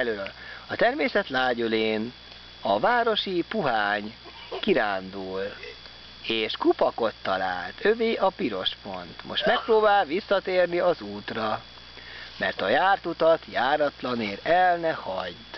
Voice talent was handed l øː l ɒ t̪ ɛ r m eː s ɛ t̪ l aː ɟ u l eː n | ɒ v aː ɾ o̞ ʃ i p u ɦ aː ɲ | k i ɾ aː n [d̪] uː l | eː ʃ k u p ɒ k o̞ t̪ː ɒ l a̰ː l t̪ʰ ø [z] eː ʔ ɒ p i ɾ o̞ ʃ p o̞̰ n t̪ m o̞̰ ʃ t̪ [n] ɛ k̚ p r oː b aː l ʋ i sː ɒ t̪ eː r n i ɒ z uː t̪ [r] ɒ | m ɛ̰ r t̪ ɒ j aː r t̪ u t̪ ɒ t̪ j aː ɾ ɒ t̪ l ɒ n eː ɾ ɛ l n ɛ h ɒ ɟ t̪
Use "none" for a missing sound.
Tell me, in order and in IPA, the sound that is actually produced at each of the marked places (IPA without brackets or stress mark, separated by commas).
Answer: d̪, v, m, r